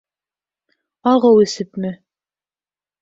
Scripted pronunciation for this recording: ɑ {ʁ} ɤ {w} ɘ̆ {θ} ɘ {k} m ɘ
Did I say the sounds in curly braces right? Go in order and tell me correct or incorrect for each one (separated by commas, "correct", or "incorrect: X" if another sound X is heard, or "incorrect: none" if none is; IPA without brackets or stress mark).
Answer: correct, correct, incorrect: s, incorrect: p